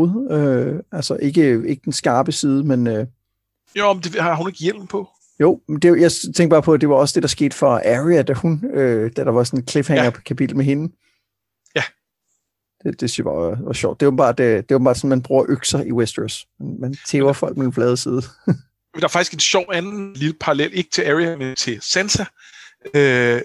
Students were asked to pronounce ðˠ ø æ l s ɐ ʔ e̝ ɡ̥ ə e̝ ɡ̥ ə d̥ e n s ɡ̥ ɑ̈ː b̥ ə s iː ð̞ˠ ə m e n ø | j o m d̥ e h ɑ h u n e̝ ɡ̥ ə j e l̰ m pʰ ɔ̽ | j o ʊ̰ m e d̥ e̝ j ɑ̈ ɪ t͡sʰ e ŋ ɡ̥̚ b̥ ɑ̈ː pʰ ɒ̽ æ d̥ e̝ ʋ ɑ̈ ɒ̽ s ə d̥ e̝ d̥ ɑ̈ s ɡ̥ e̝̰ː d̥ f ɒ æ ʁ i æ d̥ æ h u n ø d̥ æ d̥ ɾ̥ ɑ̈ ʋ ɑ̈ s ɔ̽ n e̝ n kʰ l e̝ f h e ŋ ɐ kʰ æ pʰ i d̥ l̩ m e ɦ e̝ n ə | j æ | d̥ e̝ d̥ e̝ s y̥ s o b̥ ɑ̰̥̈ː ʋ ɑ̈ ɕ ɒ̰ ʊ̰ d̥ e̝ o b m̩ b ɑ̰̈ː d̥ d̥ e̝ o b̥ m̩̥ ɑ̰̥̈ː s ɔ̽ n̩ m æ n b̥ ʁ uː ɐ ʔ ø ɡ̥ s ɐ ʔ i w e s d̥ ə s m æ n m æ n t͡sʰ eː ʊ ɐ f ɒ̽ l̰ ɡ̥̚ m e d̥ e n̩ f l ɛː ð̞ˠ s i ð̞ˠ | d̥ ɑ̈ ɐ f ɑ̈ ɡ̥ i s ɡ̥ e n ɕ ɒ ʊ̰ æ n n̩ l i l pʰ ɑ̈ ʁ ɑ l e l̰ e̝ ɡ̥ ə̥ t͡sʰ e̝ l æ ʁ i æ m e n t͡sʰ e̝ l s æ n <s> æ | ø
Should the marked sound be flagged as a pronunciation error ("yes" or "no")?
no